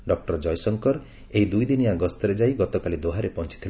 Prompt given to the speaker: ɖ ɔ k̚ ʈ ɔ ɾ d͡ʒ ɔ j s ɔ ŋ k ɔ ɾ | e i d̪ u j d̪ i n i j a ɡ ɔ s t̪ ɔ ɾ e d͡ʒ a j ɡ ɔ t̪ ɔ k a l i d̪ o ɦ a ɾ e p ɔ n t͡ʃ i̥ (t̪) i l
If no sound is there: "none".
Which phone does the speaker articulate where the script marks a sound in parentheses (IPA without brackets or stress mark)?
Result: t̪ʰ